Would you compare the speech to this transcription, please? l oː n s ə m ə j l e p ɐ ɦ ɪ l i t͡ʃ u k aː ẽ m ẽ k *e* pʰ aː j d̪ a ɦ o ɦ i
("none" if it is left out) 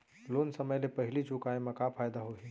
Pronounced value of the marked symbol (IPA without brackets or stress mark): a